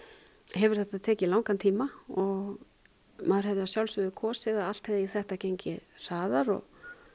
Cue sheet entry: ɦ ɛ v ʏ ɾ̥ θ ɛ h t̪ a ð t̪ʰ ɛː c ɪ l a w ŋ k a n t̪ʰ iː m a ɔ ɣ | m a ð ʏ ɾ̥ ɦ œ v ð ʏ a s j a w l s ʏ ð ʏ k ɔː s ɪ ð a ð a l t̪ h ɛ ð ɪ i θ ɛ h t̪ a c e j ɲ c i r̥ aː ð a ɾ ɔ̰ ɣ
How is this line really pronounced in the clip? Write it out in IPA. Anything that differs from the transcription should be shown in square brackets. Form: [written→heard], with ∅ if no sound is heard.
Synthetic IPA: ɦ ɛ v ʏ ɾ̥ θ ɛ h t̪ a ð t̪ʰ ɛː c ɪ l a w ŋ k a n t̪ʰ iː m a ɔ ɣ | m a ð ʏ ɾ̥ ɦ [œ→ɛ] v ð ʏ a s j a w l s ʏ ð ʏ [k→kʰ] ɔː s ɪ ð a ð a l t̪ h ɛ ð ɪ i θ ɛ h t̪ a c e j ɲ c [i→ɪ] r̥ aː ð a ɾ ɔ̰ ɣ